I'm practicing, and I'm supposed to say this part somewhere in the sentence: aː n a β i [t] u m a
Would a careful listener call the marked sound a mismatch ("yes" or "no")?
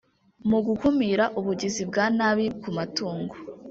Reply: yes